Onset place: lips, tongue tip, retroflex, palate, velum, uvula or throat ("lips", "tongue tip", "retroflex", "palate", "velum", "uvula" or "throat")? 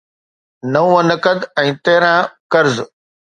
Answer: tongue tip